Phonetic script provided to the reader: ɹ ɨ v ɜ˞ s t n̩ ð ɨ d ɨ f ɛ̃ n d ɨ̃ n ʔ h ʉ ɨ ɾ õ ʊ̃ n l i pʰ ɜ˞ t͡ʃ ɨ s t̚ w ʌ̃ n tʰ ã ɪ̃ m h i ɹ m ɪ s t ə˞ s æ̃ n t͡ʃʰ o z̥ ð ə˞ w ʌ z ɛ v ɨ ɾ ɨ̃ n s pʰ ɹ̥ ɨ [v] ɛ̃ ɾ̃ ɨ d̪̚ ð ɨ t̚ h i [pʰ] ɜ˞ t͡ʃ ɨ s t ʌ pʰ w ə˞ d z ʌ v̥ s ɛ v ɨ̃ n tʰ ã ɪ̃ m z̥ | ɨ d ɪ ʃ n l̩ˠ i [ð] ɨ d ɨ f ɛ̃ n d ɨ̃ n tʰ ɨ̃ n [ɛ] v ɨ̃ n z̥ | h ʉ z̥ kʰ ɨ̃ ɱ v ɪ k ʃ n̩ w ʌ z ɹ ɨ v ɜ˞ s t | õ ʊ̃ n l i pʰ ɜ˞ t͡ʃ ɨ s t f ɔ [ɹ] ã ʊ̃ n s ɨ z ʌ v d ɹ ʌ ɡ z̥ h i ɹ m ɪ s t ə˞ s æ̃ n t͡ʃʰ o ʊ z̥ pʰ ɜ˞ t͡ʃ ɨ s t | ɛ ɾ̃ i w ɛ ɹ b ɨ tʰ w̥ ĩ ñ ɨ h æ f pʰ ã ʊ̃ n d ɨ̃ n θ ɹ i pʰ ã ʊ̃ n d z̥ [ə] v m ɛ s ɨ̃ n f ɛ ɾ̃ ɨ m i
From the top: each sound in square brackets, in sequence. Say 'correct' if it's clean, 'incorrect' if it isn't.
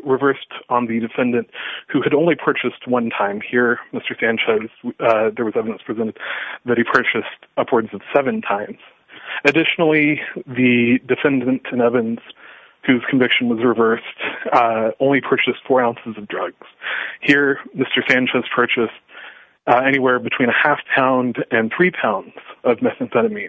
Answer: incorrect: z, correct, correct, correct, correct, incorrect: ʌ

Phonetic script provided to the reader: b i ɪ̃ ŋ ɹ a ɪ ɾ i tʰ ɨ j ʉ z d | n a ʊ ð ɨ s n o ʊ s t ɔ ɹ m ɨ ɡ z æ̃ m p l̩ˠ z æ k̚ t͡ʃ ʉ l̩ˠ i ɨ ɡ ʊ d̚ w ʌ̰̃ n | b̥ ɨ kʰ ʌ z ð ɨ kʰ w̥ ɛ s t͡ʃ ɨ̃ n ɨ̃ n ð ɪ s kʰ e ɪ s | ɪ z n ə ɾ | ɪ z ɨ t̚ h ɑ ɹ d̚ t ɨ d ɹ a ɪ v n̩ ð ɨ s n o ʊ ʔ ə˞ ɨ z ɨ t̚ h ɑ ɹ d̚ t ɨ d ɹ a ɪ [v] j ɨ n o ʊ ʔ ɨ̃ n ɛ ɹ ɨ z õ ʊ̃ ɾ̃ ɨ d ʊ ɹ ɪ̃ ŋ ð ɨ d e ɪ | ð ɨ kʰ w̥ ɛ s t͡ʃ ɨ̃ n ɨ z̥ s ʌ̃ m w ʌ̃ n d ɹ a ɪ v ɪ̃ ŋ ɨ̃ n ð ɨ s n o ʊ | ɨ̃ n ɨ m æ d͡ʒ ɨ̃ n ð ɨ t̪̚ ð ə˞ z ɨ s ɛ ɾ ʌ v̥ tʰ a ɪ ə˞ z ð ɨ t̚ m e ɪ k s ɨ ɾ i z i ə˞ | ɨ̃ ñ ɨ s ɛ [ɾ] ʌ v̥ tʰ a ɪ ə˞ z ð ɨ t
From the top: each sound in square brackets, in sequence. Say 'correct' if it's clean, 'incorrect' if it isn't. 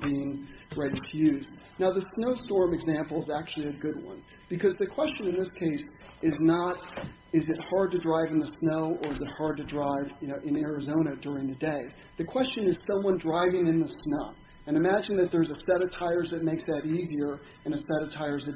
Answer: correct, correct

